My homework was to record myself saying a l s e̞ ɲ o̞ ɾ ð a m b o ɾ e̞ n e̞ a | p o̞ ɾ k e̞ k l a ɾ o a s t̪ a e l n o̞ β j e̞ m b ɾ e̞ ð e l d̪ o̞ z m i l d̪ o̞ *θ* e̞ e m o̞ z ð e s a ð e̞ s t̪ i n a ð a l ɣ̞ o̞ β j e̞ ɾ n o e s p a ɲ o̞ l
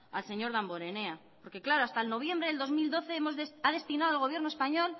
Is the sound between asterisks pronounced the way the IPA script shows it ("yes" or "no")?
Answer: yes